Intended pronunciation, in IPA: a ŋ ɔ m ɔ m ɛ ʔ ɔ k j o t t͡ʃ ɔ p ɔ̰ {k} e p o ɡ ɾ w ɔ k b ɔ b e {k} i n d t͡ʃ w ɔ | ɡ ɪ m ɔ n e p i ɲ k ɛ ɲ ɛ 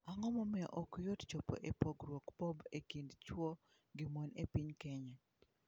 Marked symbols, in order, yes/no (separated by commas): no, yes